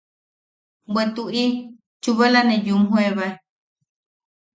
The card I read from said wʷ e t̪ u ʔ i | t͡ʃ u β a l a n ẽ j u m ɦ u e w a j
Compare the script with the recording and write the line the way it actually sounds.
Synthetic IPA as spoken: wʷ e t̪ u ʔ i | t͡ʃ u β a l a n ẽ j u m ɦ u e β a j